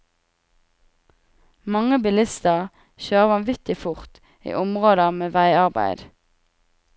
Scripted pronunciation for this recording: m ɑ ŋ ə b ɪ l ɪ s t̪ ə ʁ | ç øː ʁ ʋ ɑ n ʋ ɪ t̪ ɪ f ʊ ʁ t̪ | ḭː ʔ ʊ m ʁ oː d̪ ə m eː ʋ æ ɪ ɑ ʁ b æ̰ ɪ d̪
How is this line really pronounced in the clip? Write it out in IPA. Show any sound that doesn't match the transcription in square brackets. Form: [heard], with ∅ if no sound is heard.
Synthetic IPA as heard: m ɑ ŋ ə b ɪ l ɪ s t̪ ə ʁ | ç øː ʁ ʋ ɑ n ʋ ɪ t̪ ɪ f ʊ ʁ t̪ | ḭː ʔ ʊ m ʁ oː d̪ ə m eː ʋ æ ɪ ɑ ʁ b æ̰ ɪ d̪